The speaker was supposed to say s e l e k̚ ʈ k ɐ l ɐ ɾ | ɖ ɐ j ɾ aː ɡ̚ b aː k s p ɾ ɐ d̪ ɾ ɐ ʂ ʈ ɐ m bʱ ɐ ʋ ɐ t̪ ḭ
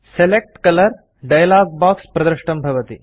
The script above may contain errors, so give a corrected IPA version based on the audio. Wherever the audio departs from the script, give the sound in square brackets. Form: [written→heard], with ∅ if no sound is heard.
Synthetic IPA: s e l e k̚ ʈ k ɐ l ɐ ɾ | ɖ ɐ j [ɾ→l] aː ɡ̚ b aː k s p ɾ ɐ d̪ ɾ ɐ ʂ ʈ ɐ m bʱ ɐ ʋ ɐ t̪ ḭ